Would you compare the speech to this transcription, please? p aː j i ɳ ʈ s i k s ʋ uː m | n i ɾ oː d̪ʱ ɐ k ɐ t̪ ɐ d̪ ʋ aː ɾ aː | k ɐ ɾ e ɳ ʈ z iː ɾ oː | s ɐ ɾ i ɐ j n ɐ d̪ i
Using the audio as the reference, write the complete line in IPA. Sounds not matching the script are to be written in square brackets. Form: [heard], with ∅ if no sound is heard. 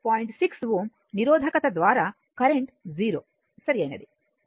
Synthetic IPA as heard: p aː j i ɳ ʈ s i k s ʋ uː m | n i ɾ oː d̪ʱ ɐ k ɐ t̪ ɐ d̪ ʋ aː ɾ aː | k ɐ ɾ e ɳ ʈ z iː ɾ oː | s ɐ ɾ i ɐ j n ɐ d̪ i